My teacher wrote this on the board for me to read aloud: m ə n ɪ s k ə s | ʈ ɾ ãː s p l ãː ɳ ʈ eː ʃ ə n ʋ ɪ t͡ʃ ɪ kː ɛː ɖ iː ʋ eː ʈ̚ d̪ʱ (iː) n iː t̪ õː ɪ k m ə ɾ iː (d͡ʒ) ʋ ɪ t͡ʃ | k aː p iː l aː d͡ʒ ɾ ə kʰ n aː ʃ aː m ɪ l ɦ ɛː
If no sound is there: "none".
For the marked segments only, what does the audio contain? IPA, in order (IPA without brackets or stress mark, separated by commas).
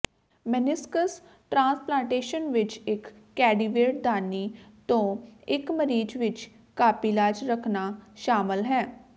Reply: aː, d͡ʒ